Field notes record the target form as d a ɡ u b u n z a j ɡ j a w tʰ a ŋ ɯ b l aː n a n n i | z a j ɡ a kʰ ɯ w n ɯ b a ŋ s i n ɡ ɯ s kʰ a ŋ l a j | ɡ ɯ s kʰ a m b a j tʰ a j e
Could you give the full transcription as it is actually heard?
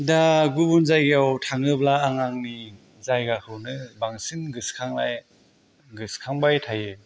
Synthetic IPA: d a ɡ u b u n z a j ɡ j a w tʰ a ŋ ɯ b l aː ŋ a ŋ n i | z a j ɡ a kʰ ɯ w n ɯ b a ŋ s i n ɡ ɯ s kʰ a ŋ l a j | ɡ ɯ s kʰ a ŋ b a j tʰ a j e